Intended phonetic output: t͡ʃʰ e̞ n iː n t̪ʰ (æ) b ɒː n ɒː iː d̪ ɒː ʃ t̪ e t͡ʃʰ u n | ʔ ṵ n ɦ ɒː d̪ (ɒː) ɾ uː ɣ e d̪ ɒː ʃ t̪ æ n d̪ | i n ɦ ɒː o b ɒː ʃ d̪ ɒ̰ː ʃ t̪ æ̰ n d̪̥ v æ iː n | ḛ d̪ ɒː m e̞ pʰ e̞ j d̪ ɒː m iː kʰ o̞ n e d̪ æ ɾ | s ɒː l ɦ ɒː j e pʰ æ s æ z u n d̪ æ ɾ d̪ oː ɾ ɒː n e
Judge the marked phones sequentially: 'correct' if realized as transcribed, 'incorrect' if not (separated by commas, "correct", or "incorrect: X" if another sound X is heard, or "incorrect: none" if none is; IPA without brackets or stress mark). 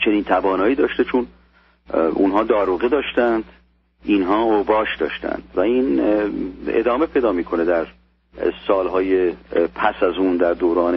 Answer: correct, correct